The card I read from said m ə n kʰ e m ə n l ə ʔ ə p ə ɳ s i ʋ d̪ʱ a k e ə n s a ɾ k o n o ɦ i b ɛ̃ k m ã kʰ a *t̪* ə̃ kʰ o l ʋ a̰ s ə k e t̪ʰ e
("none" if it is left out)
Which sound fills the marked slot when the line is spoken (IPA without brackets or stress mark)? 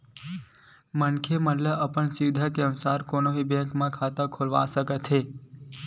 t̪